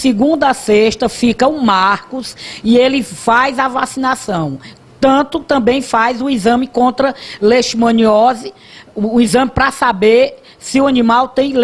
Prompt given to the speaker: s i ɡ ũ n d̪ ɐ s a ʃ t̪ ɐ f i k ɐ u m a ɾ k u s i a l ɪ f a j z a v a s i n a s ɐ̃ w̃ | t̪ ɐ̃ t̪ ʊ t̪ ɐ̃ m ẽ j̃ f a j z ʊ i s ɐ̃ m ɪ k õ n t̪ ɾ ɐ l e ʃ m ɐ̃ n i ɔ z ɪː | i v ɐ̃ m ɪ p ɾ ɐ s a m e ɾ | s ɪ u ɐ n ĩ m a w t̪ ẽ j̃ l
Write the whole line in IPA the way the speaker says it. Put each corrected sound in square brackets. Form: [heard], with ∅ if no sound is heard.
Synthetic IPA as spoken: s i ɡ ũ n d̪ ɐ s [e] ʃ t̪ ɐ f i k ɐ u m a ɾ k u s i [e] l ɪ f a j z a v a s i n a s ɐ̃ w̃ | t̪ ɐ̃ t̪ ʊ t̪ ɐ̃ [b] ẽ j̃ f a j z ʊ i [z] ɐ̃ m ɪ k õ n t̪ ɾ ɐ l e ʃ m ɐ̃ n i ɔ z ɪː | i [z] ɐ̃ m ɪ p ɾ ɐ s a [b] e ɾ | s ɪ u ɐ n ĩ m a w t̪ ẽ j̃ l